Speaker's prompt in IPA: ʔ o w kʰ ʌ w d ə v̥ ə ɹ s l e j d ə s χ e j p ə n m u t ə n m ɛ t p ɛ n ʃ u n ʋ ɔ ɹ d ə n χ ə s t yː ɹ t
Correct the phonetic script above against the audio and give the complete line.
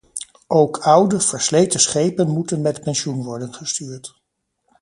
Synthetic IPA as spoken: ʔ o w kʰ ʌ w d ə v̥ ə ɹ s l e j t ə s χ e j p ə n m u t ə n m ɛ t p ɛ n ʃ u n ʋ ɔ ɹ d ə n χ ə s t yː ɹ t